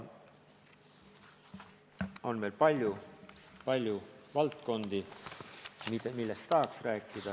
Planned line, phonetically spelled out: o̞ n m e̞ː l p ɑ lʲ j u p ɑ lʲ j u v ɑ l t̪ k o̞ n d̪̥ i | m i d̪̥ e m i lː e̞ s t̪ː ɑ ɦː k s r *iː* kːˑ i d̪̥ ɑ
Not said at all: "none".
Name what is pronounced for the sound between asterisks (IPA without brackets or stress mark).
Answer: æː